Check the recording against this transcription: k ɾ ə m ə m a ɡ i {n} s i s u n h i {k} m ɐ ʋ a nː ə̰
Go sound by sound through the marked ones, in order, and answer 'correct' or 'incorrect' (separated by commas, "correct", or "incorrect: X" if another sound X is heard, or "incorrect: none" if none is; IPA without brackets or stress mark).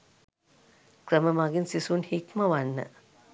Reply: correct, correct